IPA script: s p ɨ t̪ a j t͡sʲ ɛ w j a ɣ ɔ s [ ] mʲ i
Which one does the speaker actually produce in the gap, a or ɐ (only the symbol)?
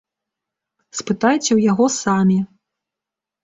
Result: a